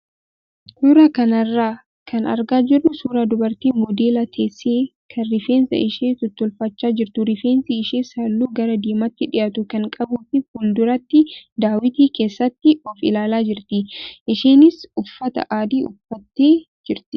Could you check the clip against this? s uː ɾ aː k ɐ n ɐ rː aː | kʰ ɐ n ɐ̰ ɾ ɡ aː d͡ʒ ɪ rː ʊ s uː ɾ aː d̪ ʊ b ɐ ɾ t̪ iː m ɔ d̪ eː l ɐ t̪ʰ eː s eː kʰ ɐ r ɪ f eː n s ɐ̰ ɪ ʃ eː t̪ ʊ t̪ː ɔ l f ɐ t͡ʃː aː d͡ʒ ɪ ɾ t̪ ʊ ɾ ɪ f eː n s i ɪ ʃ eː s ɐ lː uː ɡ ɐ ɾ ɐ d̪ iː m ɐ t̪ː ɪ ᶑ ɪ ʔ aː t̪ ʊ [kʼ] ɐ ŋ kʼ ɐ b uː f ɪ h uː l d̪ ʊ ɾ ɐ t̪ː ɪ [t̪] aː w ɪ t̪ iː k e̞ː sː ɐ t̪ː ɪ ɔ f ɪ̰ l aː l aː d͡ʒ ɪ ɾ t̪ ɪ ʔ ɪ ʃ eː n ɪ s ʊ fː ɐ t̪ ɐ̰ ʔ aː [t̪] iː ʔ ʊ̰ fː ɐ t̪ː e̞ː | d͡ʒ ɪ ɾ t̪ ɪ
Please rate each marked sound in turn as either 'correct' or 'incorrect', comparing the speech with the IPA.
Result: incorrect, incorrect, incorrect

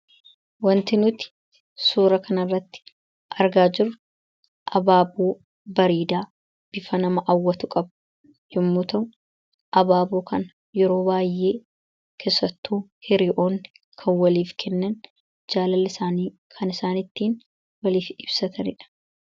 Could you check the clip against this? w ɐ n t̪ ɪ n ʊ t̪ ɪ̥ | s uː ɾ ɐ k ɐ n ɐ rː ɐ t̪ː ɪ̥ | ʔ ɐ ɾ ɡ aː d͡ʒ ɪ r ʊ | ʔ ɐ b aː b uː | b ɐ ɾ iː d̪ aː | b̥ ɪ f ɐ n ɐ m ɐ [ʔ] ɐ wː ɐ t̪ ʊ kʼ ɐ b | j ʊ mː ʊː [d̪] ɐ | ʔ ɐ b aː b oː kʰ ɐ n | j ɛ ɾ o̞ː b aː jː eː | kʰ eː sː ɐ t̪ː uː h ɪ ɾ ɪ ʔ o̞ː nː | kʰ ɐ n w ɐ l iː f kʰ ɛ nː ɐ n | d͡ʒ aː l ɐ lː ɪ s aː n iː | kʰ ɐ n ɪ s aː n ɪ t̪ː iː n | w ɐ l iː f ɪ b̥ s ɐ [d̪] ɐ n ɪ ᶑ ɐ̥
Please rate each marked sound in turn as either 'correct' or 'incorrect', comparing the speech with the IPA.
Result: correct, incorrect, incorrect

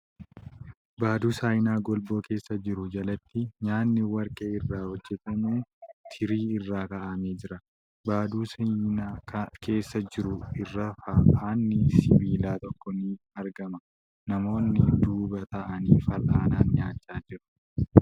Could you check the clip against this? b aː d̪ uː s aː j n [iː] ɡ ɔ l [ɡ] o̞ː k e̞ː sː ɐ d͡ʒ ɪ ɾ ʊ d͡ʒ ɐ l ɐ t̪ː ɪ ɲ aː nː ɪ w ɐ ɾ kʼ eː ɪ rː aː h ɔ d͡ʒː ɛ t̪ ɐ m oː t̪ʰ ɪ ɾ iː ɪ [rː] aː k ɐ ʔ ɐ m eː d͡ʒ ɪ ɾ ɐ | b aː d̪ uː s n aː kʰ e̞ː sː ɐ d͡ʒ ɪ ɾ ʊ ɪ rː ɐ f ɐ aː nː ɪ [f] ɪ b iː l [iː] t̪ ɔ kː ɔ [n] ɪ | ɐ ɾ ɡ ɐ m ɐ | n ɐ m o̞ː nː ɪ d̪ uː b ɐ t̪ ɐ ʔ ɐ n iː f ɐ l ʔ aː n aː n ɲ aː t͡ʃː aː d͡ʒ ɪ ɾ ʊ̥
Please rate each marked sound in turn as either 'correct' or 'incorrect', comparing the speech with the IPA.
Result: incorrect, incorrect, correct, incorrect, incorrect, correct

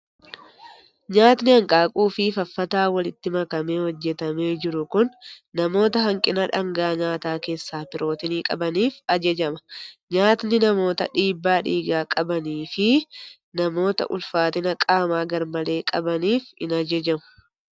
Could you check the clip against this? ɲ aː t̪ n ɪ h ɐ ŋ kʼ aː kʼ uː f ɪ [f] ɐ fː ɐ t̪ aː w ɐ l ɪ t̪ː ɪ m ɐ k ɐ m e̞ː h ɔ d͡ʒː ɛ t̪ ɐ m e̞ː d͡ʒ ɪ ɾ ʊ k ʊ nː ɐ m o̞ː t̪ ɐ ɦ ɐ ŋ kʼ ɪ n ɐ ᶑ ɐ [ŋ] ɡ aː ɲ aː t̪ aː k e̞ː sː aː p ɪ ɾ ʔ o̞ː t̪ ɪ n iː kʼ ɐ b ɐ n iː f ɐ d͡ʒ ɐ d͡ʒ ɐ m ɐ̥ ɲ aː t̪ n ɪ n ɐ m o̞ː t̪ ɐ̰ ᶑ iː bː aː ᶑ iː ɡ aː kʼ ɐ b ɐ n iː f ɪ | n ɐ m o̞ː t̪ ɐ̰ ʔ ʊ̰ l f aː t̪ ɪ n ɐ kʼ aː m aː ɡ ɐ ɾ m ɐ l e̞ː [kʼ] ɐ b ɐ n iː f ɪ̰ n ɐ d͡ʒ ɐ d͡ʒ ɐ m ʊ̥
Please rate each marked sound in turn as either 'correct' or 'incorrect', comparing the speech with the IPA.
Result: correct, correct, correct

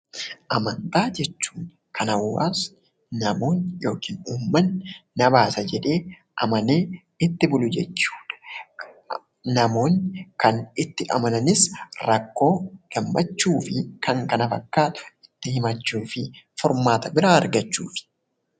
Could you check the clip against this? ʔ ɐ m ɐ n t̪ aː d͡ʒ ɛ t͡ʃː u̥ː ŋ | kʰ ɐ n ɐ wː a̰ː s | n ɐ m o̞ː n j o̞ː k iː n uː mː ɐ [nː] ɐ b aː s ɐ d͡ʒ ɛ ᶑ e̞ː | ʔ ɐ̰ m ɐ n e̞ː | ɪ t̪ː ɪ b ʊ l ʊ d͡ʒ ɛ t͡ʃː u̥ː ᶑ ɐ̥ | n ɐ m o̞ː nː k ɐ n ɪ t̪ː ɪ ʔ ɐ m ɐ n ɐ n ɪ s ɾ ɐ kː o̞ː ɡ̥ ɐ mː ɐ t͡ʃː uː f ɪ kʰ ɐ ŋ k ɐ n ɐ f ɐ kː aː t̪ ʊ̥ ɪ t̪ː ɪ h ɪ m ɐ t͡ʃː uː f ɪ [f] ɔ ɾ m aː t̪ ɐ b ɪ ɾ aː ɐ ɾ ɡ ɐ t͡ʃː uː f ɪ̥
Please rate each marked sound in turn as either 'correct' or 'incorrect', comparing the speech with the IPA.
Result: correct, correct

